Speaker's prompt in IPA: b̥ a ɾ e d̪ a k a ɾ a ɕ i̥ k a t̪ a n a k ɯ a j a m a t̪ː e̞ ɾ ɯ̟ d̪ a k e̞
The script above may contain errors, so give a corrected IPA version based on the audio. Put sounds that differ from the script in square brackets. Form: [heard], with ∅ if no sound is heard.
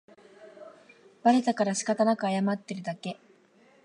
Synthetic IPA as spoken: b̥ a ɾ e [t̪] a k a ɾ a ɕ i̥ k a t̪ a n a k ɯ a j a m a t̪ː e̞ ɾ ɯ̟ d̪ a k e̞